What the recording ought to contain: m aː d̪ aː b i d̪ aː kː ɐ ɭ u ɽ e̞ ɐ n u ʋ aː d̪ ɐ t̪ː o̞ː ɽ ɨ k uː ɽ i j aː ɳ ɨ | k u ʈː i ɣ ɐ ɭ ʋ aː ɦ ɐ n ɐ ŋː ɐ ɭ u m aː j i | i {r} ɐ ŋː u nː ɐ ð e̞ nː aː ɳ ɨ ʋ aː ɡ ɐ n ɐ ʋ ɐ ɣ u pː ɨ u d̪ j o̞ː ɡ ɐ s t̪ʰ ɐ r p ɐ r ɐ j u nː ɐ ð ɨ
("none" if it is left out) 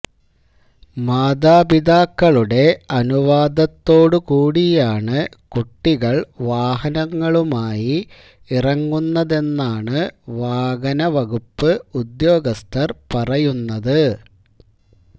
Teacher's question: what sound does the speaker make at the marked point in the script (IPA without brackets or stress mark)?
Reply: r